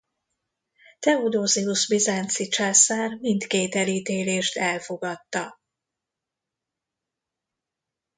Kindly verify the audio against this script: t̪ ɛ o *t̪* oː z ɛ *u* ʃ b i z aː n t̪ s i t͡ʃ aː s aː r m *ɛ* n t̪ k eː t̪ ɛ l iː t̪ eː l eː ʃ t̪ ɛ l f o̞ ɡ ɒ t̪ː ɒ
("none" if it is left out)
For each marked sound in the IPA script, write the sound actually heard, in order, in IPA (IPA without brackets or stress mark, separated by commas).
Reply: d̪, u, i